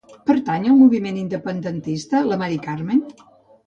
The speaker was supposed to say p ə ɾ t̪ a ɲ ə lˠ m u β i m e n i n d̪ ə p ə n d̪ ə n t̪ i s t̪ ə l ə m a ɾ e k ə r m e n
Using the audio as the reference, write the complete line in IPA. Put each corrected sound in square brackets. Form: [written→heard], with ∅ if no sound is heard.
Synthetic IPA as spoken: p ə ɾ t̪ a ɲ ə lˠ m u β i m e n i n d̪ ə p ə n d̪ ə n t̪ i s t̪ ə l ə m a ɾ [e→i] k [ə→a] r m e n